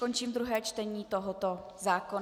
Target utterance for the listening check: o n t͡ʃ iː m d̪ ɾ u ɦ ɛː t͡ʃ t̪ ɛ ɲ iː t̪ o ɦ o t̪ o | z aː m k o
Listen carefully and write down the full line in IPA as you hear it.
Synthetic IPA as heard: o n t͡ʃ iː m d̪ ɾ u ɦ ɛː t͡ʃ t̪ ɛ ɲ iː t̪ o ɦ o t̪ o | z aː k o